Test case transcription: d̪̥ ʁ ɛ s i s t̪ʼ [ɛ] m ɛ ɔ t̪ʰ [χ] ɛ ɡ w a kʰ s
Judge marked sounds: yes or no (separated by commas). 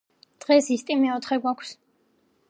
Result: no, yes